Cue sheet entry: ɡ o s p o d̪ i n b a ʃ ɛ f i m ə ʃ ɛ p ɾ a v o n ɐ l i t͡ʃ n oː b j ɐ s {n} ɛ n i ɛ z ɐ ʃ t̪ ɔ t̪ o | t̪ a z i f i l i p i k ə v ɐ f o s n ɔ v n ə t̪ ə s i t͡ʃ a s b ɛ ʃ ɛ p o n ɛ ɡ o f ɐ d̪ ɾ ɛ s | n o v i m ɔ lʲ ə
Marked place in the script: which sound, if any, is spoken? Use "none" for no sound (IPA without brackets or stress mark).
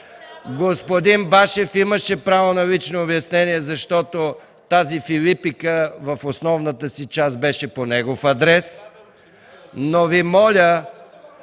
n